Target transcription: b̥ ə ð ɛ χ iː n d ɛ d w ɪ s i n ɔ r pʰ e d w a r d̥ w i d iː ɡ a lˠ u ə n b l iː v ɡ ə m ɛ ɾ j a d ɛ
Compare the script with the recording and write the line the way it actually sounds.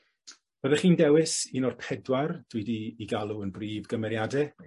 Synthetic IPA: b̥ ə ð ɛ χ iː n d ɛ w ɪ s i n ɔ r pʰ ɛ d w a r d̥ w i d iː ɡ a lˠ u ə n b r iː v ɡ ə m ɛ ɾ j a d ɛ

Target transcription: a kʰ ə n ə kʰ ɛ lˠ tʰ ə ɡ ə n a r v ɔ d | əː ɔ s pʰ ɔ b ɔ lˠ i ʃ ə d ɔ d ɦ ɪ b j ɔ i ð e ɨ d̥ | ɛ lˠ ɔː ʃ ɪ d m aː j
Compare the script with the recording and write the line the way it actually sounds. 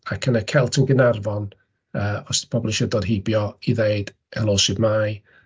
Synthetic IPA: a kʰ ə n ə kʰ ɛ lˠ tʰ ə ɡ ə n a r v ɔ n | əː ɔ s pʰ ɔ b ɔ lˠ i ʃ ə d ɔ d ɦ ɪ b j ɔ i ð e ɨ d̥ | ɛ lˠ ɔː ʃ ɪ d m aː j

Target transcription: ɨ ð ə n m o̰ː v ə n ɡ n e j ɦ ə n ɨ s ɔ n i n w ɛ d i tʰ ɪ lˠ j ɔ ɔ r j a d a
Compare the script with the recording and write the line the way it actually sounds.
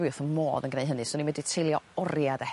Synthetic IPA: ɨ θ ə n m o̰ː ð ə n ɡ n e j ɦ ə n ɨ s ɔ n i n w ɛ d i tʰ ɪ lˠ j ɔ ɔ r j a d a

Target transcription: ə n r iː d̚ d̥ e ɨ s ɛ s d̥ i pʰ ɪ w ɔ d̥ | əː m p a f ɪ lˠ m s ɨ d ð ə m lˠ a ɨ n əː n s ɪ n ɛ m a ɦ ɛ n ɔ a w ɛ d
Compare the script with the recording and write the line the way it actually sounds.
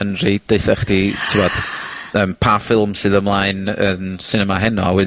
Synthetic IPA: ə n r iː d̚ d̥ e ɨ θ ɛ χ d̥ i tʰ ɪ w ɔ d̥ | əː m pʰ a f ɪ lˠ m s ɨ ð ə m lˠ a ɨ n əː n s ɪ n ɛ m a ɦ ɛ n ɔ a w ɛ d

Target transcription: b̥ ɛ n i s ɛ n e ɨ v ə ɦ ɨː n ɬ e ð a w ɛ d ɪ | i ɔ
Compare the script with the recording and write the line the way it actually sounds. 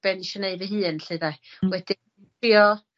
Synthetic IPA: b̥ ɛ n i ʃ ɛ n e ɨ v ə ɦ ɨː n ɬ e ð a w ɛ d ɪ | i ɔ

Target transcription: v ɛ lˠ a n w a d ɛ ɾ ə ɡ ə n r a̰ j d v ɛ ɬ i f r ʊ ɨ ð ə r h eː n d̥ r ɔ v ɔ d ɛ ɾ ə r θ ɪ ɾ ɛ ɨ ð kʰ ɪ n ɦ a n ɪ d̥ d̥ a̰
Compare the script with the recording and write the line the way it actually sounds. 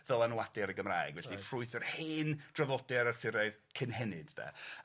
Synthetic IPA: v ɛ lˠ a n w a d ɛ ɾ ə ɡ ə m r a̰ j ɡ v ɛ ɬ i f r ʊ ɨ θ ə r h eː n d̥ r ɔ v ɔ d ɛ ɾ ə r θ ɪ ɾ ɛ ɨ ð kʰ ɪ n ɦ ɛ n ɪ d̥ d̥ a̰

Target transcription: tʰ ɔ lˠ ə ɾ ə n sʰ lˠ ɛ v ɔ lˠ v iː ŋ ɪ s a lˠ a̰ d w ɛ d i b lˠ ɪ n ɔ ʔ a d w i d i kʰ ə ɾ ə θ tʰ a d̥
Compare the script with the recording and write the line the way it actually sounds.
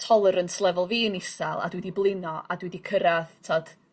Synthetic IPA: tʰ ɔ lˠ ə ɾ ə n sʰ lˠ ɛ v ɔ lˠ v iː n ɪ s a lˠ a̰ d w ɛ d i b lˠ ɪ n ɔ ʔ a d w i d i kʰ ə ɾ a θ tʰ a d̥

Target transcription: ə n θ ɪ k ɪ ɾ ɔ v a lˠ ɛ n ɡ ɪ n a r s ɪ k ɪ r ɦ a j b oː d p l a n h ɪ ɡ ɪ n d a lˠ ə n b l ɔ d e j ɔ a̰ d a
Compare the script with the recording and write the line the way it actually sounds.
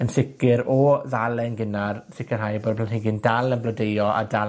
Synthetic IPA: ə n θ ɪ k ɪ ɾ ɔ ð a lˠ ɛ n ɡ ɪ n a r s ɪ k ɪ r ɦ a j b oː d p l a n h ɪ ɡ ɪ n d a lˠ ə n b l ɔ d e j ɔ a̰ d a

